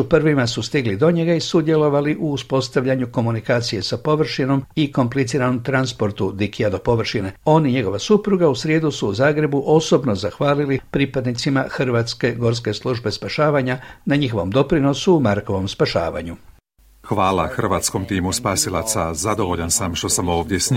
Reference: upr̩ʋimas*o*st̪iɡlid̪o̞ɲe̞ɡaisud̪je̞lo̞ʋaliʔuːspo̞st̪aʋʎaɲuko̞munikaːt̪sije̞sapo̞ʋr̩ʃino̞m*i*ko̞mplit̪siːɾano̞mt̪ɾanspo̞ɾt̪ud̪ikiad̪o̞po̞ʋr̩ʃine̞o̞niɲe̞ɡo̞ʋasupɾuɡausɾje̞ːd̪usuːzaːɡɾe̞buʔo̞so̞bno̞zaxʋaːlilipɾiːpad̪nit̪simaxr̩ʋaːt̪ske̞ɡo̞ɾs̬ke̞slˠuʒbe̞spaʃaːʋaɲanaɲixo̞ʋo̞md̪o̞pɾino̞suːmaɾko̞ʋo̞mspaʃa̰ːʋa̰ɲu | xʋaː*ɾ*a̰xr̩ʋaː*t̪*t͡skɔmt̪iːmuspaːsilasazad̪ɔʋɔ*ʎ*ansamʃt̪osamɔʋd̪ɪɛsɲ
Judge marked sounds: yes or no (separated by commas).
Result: no, yes, no, yes, yes